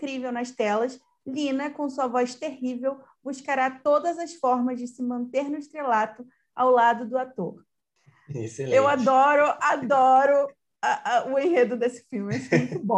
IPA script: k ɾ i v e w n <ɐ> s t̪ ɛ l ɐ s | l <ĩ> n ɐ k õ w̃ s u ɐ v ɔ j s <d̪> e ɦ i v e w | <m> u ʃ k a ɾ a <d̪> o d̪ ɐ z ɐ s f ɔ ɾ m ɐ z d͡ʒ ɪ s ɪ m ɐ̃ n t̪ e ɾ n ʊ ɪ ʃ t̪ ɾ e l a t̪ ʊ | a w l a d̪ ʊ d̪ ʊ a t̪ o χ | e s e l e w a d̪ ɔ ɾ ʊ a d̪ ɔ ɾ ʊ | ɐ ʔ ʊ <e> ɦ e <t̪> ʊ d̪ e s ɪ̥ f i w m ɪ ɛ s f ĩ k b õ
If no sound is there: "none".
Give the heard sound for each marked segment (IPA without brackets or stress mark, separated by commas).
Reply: ɐ, ĩ, t̪, b, t̪, ẽ, d̪